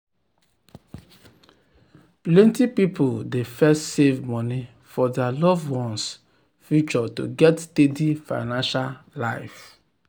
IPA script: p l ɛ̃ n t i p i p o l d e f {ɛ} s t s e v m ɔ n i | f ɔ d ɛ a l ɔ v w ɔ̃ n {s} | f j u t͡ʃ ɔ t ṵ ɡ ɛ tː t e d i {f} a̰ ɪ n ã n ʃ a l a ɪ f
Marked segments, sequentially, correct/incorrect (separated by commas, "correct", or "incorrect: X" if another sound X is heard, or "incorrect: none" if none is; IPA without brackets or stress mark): correct, correct, correct